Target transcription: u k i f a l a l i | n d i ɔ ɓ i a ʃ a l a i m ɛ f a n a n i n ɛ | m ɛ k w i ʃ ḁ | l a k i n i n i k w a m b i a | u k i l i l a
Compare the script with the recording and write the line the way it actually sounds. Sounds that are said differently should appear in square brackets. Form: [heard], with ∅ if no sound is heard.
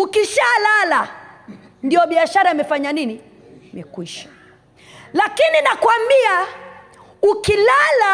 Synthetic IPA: u k i [ʃ] a l a l [a] | n d i ɔ ɓ i a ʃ a [ɾ] a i m ɛ f a [ɲ] a n i n [i] | m ɛ k w i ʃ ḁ | l a k i n i n [a] k w a m b i a | u k i l [a] l a